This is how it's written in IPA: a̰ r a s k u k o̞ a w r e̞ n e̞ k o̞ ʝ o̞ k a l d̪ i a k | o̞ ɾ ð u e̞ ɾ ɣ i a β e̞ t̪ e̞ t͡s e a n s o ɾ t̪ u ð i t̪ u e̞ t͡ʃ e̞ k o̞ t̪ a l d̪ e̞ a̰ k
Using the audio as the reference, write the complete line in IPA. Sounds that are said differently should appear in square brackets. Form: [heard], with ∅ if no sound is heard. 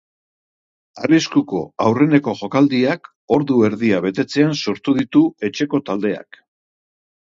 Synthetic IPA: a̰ r [i] s k u k o̞ a w r e̞ n e̞ k o̞ ʝ o̞ k a l d̪ i a k | o̞ ɾ ð u e̞ ɾ [ð] i a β e̞ t̪ e̞ t͡s e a n s o ɾ t̪ u ð i t̪ u e̞ t͡ʃ e̞ k o̞ t̪ a l d̪ e̞ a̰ k

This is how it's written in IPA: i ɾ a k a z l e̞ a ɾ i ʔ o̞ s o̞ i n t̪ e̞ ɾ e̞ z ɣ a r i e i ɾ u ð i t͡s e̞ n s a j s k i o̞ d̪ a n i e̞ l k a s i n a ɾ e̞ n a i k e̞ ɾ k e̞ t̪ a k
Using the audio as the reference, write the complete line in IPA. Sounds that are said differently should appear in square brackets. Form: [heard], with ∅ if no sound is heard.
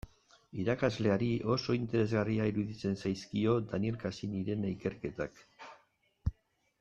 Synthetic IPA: i ɾ a k a z l e̞ a ɾ i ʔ o̞ s o̞ i n t̪ e̞ ɾ e̞ z ɣ a r i [a] i ɾ u ð i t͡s e̞ n s a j s k i o̞ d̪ a n i e̞ l k a s i n [i] ɾ e̞ n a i k e̞ ɾ k e̞ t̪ a k

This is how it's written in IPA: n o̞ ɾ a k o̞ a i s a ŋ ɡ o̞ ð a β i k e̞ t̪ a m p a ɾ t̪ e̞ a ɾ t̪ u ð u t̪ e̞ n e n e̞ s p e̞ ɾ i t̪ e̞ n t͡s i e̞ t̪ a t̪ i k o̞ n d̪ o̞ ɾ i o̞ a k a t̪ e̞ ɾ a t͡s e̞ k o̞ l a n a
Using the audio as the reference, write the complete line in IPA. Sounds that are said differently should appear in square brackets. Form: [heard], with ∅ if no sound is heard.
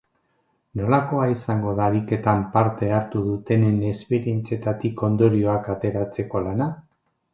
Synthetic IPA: n o̞ [l] a k o̞ a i s a ŋ ɡ o̞ ð a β i k e̞ t̪ a m p a ɾ t̪ e̞ a ɾ t̪ u ð u t̪ e̞ n e n e̞ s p e̞ ɾ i [∅] e̞ n t͡s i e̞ t̪ a t̪ i k o̞ n d̪ o̞ ɾ i o̞ a k a t̪ e̞ ɾ a t͡s e̞ k o̞ l a n a

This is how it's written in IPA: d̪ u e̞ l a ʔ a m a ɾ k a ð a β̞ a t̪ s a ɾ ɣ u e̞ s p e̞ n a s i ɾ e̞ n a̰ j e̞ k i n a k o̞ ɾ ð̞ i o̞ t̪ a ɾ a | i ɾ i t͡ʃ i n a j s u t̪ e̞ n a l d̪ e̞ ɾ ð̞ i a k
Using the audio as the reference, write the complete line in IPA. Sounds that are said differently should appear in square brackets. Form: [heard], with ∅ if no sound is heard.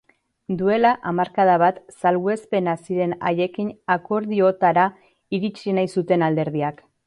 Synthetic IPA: d̪ u e̞ l a ʔ a m a ɾ k a ð a β̞ a t̪ s a [l] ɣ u e̞ s p e̞ n a s i ɾ e̞ n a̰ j e̞ k i n a k o̞ ɾ ð̞ i o̞ t̪ a ɾ a | i ɾ i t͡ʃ i n a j s u t̪ e̞ n a l d̪ e̞ ɾ ð̞ i a k

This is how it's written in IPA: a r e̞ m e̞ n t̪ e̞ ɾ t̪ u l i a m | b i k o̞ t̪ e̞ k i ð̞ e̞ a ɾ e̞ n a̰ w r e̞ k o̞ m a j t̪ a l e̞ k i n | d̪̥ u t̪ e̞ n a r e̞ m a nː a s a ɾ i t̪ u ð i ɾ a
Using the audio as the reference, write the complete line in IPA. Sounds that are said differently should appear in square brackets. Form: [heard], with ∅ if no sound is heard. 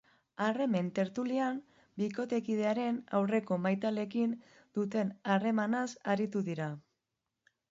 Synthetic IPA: a r e̞ m e̞ n t̪ e̞ ɾ t̪ u l i a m | b i k o̞ t̪ e̞ k i ð̞ e̞ a ɾ e̞ n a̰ w r e̞ k o̞ m a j t̪ a l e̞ k i n | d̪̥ u t̪ e̞ n a r e̞ m a [n] a s a ɾ i t̪ u ð i ɾ a

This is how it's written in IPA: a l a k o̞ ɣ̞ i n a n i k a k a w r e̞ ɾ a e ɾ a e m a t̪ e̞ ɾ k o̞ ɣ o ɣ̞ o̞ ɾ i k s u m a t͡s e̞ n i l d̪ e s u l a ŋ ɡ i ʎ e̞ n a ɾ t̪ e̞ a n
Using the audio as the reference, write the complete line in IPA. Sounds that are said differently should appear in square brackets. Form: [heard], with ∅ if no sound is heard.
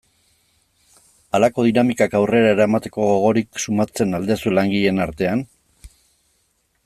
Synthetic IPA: a l a k o̞ [ð̞] i n a [m] i k a k a w r e̞ ɾ a e ɾ a e m a t̪ e̞ [∅] k o̞ ɣ o ɣ̞ o̞ ɾ i k s u m a t͡s e̞ n [a] l d̪ e s u l a ŋ ɡ i ʎ e̞ n a ɾ t̪ e̞ a n

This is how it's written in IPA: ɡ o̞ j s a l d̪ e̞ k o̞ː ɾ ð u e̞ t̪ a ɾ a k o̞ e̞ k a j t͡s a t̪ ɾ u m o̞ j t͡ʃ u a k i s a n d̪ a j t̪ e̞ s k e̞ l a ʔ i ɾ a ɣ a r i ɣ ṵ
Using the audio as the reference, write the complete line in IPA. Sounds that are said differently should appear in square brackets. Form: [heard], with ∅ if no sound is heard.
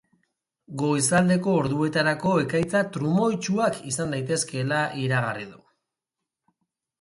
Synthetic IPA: ɡ o̞ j s a l d̪ e̞ k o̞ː ɾ ð u e̞ t̪ a ɾ a k o̞ e̞ k a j t͡s a t̪ ɾ u m o̞ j t͡ʃ u a k i s a n d̪ a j t̪ e̞ s k e̞ l a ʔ i ɾ a ɣ a r i [ð] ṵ

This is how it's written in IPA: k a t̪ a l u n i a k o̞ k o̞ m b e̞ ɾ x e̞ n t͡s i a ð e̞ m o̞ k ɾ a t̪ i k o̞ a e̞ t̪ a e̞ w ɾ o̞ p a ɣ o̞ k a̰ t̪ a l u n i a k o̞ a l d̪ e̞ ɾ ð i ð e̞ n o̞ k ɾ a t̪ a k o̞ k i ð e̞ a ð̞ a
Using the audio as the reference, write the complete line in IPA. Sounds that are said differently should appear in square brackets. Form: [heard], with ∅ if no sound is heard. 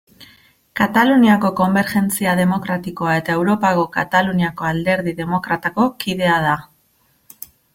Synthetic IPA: k a t̪ a l u n i a k o̞ k o̞ m b e̞ ɾ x e̞ n t͡s i a ð e̞ m o̞ k ɾ a t̪ i k o̞ a e̞ t̪ a e̞ w ɾ o̞ p a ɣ o̞ k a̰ t̪ a l u n i a k o̞ a l d̪ e̞ ɾ ð i ð e̞ [m] o̞ k ɾ a t̪ a k o̞ k i ð e̞ a ð̞ a

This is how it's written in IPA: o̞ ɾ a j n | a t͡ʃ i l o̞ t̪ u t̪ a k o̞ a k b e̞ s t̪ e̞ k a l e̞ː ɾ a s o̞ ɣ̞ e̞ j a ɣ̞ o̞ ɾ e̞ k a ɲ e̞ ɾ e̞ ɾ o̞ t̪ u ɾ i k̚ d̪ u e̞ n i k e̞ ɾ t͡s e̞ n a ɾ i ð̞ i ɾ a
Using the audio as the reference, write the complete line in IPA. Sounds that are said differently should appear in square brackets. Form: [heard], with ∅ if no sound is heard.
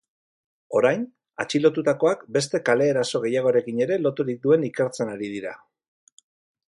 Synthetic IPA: o̞ ɾ a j n | a t͡ʃ i l o̞ t̪ u t̪ a k o̞ a k b e̞ s t̪ e̞ k a l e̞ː ɾ a s o̞ ɣ̞ e̞ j a ɣ̞ o̞ ɾ e̞ k [i] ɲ e̞ ɾ e̞ [l] o̞ t̪ u ɾ i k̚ d̪ u e̞ n i k e̞ ɾ t͡s e̞ n a ɾ i ð̞ i ɾ a

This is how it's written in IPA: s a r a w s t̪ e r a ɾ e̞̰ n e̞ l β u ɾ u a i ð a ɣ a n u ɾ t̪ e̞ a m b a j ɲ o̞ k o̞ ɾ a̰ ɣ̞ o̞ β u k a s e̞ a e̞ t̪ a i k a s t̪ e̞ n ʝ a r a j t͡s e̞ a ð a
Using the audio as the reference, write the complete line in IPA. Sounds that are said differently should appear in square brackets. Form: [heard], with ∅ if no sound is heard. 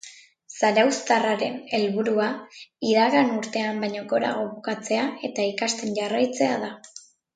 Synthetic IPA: s a [ɾ] a w s t̪ [a] r a ɾ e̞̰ n e̞ l β u ɾ u a i ð a ɣ a n u ɾ t̪ e̞ a m b a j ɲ o̞ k o̞ ɾ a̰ ɣ̞ o̞ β u k a [t͡s] e̞ a e̞ t̪ a i k a s t̪ e̞ n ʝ a r a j t͡s e̞ a ð a

